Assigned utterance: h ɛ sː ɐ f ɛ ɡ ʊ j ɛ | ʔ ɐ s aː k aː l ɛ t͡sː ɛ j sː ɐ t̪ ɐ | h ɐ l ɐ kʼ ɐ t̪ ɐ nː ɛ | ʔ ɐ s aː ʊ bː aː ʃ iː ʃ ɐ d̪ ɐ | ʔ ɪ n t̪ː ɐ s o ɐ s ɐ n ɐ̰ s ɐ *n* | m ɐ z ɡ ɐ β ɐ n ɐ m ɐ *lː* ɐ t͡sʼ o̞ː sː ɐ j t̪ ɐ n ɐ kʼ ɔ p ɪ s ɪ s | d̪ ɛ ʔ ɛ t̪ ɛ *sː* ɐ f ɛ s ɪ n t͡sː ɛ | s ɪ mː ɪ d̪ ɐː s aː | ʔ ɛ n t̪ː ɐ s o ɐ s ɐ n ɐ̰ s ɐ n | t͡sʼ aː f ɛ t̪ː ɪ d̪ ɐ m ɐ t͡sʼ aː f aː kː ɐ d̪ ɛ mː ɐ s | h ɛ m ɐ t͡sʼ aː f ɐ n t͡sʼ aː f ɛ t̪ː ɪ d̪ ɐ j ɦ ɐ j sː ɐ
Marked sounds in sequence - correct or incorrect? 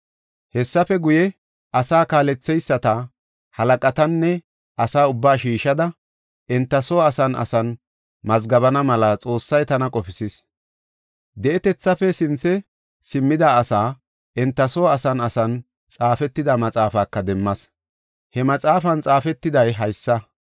correct, incorrect: l, incorrect: t͡sː

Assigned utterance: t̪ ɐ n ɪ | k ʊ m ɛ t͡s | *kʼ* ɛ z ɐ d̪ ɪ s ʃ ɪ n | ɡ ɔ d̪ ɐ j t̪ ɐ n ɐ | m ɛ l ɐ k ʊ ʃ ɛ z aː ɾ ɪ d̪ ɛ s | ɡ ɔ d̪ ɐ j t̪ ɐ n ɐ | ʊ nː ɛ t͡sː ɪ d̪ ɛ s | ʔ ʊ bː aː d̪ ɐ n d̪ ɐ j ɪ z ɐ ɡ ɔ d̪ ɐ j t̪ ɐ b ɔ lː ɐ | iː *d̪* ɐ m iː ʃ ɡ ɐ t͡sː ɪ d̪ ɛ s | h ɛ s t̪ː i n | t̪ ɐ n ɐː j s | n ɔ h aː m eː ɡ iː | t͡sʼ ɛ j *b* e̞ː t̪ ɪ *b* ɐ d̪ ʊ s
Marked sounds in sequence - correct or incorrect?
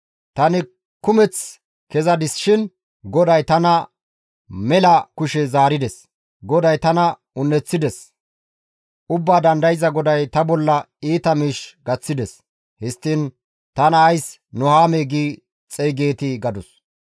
incorrect: k, incorrect: t̪, incorrect: ɡ, incorrect: ɡ

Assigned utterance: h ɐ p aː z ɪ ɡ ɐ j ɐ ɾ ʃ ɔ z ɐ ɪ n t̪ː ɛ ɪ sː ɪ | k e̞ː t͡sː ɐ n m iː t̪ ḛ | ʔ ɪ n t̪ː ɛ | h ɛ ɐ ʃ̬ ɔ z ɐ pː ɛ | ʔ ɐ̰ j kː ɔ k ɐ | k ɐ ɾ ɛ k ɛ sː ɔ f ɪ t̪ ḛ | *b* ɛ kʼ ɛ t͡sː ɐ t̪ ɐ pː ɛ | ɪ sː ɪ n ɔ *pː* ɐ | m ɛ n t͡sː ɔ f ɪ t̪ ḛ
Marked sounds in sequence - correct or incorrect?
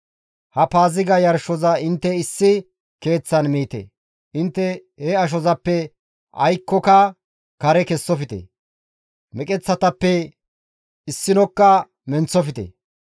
incorrect: m, incorrect: kː

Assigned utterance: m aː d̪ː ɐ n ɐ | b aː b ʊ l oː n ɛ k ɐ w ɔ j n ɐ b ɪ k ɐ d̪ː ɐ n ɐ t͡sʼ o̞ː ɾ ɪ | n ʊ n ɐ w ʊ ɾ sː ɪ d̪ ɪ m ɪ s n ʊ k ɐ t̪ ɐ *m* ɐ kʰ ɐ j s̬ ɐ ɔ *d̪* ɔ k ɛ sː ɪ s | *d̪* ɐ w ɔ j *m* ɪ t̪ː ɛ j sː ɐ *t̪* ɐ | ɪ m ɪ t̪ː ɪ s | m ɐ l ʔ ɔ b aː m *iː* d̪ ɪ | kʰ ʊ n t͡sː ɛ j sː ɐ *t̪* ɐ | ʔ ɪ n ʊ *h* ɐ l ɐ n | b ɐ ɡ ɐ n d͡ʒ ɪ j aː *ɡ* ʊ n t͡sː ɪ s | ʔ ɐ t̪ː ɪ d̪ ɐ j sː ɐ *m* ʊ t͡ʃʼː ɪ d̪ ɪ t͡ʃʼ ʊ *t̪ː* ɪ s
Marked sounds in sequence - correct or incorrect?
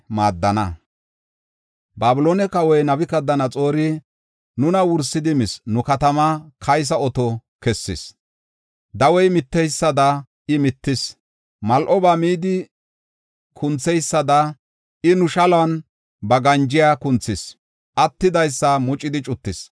correct, incorrect: t̪, correct, correct, incorrect: d̪, correct, incorrect: d̪, incorrect: ʃ, incorrect: k, correct, correct

